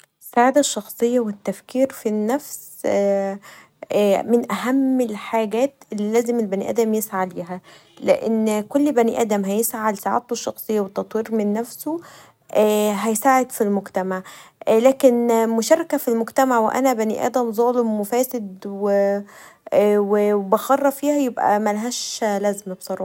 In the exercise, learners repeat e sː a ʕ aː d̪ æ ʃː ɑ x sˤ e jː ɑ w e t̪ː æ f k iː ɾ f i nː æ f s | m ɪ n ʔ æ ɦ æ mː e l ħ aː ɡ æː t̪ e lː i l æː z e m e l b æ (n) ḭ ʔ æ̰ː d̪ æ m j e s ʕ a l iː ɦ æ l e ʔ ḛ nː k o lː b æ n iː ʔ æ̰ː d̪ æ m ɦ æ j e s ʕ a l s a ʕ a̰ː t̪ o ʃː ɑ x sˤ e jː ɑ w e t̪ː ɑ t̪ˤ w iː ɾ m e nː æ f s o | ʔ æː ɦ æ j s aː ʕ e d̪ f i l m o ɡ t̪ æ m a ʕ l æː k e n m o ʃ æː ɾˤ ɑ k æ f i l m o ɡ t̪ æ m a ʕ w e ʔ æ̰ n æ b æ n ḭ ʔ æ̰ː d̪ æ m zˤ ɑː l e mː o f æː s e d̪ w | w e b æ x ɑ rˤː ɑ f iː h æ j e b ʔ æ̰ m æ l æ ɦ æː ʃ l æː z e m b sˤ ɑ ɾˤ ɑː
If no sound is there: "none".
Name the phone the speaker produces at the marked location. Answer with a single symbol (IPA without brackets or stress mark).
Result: n